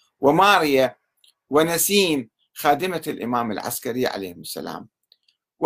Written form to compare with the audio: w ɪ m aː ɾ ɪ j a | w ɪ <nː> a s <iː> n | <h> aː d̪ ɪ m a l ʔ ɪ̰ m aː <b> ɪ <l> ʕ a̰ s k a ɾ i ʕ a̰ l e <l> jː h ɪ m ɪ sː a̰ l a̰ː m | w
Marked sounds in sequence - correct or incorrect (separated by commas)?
incorrect, correct, incorrect, incorrect, correct, incorrect